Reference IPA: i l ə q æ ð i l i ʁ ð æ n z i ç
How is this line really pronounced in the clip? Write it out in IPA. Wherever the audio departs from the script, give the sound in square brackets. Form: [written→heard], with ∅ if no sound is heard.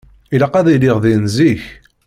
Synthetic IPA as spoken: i l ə q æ ð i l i ʁ ð [æ→i] n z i ç